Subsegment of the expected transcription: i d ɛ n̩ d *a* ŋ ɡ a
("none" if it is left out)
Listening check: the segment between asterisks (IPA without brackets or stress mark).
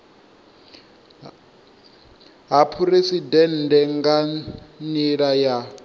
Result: ɛ